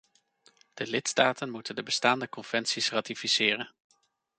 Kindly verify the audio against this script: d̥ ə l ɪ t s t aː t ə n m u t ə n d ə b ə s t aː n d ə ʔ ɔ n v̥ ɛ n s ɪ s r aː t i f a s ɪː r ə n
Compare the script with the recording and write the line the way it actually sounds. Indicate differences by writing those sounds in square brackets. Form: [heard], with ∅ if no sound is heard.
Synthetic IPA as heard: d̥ ə l ɪ t s t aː t ə n m u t ə n d ə b ə s t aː n d ə [k] ɔ n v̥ ɛ n s [i] s r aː t i f [i] s ɪː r ə n

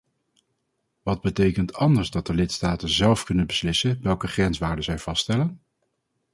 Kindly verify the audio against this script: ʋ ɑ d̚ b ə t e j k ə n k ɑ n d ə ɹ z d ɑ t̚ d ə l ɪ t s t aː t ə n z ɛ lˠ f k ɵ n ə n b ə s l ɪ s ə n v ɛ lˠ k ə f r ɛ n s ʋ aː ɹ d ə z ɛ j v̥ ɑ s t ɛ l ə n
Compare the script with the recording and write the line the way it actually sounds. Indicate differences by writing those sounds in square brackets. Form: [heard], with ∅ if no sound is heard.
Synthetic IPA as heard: ʋ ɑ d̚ b ə t e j k ə n [t] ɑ n d ə ɹ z d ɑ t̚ d ə l ɪ t s t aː t ə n z ɛ lˠ f k ɵ n ə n b ə s l ɪ s ə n [ʋ] ɛ lˠ k ə [χ] r ɛ n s ʋ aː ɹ d ə z ɛ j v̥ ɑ s t ɛ l ə n

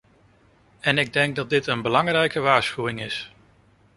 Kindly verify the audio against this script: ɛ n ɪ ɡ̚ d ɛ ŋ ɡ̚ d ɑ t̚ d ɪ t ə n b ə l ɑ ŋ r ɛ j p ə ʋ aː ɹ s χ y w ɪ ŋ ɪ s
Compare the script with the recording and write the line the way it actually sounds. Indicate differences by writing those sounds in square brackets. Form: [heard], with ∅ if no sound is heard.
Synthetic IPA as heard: ɛ n ɪ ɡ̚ d ɛ ŋ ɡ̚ d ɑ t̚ d ɪ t ə n b ə l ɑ ŋ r ɛ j [k] ə ʋ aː ɹ s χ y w ɪ ŋ ɪ s

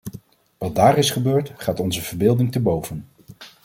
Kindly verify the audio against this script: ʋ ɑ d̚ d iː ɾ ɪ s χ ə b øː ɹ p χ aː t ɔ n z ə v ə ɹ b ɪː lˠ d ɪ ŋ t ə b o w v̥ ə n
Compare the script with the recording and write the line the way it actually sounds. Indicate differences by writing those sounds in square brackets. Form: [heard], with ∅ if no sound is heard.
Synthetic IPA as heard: ʋ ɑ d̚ d [aː] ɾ ɪ s χ ə b øː ɹ [t] χ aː t ɔ n z ə v ə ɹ b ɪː lˠ d ɪ ŋ t ə b o w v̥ ə n

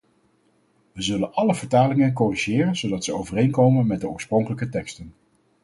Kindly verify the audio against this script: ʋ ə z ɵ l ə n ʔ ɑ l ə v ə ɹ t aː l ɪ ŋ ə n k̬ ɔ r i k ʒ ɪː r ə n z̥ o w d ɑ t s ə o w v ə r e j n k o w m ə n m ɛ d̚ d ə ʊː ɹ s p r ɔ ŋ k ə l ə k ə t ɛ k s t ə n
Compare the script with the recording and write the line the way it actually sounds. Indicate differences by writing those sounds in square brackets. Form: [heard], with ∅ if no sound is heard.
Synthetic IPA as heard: ʋ ə z ɵ l ə n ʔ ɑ l ə v ə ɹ t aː l ɪ ŋ ə n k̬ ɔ r i [∅] ʒ ɪː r ə n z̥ o w d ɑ t s ə o w v ə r e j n k o w m ə n m ɛ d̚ d ə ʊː ɹ s p r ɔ ŋ k ə l ə k ə t ɛ k s t ə n

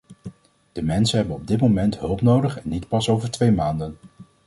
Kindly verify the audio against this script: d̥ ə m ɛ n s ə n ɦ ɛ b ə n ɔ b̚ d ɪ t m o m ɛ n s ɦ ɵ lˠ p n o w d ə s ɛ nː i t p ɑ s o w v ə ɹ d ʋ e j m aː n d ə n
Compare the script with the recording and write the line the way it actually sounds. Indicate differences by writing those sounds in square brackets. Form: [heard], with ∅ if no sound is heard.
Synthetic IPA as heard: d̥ ə m ɛ n s ə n ɦ ɛ b ə n ɔ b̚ d ɪ t m o m ɛ n [t] ɦ ɵ lˠ p n o w d ə [χ] ɛ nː i t p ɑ s o w v ə ɹ [t] ʋ e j m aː n d ə n

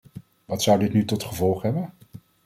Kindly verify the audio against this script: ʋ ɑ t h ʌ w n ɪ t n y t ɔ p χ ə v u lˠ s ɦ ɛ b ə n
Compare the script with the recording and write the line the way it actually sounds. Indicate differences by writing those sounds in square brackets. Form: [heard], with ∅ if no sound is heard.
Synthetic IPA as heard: ʋ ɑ t [s] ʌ w [d] ɪ t n y t ɔ [t] χ ə v [ɔ] lˠ [χ] ɦ ɛ b ə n

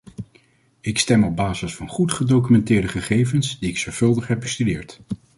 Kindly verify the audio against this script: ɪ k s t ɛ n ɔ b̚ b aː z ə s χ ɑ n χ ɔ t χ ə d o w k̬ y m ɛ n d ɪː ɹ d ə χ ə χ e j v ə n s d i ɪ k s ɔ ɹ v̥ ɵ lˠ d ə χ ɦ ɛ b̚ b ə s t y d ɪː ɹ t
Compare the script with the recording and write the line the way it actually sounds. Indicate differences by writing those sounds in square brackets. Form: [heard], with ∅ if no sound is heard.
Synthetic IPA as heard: ɪ k s t ɛ [m] ɔ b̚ b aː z ə s [f] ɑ n χ [u] t χ ə d o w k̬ y m ɛ n [t] ɪː ɹ d ə χ ə χ e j v ə n s d i ɪ k s ɔ ɹ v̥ ɵ lˠ d ə χ ɦ ɛ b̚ b ə s t y d ɪː ɹ t

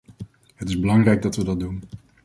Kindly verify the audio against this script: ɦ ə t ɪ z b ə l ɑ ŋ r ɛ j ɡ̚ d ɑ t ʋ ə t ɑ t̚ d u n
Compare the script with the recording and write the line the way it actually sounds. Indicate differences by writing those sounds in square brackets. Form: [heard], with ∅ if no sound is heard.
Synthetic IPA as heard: ɦ ə t ɪ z b ə l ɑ ŋ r ɛ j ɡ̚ d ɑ t ʋ ə [d] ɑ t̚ d u n

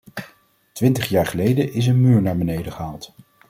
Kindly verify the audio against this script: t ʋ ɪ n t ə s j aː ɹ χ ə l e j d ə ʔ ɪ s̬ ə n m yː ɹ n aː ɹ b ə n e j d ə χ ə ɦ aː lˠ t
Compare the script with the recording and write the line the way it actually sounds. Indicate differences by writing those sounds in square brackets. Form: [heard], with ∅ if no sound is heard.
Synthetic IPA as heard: t ʋ ɪ n t ə [χ] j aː ɹ χ ə l e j d ə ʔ ɪ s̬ ə n m yː ɹ n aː ɹ b ə n e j d ə χ ə ɦ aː lˠ t

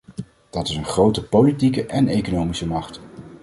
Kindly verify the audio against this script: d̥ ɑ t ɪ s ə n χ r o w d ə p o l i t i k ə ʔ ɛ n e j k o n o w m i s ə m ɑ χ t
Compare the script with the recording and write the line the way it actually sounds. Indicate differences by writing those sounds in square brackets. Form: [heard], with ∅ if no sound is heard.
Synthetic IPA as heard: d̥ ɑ t ɪ s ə n χ r o w [t] ə p o l i t i k ə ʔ ɛ n e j k o n o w m i s ə m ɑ χ t

